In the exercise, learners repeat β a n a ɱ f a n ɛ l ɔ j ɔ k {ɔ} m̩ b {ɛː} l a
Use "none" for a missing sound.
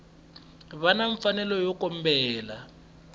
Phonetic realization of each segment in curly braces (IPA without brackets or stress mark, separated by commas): ɔ, ɛː